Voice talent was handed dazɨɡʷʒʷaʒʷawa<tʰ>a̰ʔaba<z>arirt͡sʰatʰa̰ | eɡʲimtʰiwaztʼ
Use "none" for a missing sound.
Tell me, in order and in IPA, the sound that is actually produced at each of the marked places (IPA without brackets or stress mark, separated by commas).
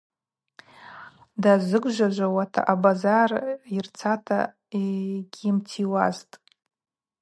tʰ, z